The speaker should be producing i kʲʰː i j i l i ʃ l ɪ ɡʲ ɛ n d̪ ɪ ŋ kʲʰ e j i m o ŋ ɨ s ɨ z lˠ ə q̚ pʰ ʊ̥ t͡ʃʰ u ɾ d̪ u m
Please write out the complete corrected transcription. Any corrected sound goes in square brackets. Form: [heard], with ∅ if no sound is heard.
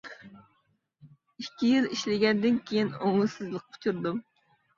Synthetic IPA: i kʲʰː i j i l i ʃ l ɪ ɡʲ ɛ n d̪ ɪ [n] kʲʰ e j i [n] o ŋ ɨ s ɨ z lˠ ə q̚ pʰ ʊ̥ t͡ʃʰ u ɾ d̪ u m